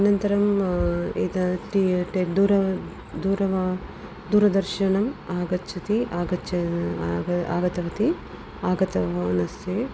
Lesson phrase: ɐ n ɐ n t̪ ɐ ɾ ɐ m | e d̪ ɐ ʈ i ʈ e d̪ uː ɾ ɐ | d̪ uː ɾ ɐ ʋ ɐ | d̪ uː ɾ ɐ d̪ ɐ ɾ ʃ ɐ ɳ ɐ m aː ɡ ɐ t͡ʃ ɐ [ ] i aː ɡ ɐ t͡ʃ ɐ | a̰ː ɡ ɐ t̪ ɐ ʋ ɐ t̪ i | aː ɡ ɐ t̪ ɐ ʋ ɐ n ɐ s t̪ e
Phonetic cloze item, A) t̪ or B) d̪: A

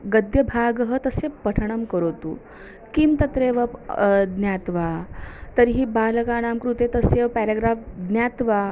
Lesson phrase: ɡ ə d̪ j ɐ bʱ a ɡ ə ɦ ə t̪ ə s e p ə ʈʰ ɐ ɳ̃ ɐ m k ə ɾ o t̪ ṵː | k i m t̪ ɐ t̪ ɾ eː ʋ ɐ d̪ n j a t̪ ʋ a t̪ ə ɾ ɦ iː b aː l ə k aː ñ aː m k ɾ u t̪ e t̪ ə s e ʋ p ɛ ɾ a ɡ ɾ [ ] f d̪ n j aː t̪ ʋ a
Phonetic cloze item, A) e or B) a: B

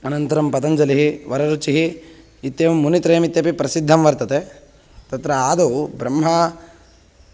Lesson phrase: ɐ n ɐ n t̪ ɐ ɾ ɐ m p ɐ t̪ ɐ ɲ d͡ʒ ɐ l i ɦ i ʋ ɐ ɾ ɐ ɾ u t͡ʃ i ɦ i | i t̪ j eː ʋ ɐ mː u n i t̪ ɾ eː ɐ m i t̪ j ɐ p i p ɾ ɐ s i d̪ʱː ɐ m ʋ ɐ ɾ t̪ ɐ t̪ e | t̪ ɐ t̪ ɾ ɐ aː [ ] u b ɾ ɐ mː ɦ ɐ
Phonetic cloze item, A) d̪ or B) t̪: A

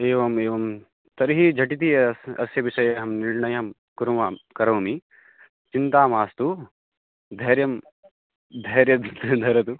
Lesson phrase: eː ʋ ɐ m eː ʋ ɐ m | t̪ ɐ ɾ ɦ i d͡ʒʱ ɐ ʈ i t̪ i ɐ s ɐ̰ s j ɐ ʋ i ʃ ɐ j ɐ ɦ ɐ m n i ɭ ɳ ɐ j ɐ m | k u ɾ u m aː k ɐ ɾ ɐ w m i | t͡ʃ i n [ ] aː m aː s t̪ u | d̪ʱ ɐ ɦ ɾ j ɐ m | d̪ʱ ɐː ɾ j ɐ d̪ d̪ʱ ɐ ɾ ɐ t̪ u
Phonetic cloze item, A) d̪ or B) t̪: B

